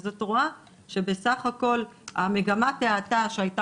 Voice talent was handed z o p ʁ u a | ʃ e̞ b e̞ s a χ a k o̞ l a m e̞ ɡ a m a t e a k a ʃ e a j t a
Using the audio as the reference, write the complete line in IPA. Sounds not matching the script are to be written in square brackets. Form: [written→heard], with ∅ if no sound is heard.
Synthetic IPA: z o [p→t] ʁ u a | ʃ e̞ b e̞ s a χ a k o̞ l a m e̞ ɡ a m a t e a [k→t] a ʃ e a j t a